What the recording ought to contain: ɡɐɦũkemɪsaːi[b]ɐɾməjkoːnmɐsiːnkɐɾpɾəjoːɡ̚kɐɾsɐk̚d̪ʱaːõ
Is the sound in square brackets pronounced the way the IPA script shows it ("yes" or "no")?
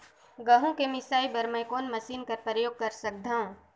yes